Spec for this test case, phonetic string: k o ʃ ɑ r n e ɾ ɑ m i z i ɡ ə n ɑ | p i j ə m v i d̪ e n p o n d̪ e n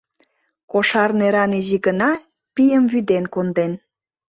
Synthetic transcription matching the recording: k o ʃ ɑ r n e ɾ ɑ n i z i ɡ ə n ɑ | p i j ə m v y d̪ e n k o n d̪ e n